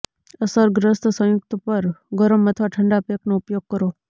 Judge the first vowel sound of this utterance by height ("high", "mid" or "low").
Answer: mid